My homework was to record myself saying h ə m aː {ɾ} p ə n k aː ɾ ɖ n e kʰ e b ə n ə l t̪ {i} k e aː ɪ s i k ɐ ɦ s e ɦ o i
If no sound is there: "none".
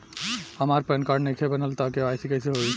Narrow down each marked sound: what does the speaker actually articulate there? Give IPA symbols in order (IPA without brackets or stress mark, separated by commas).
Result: ɾ, a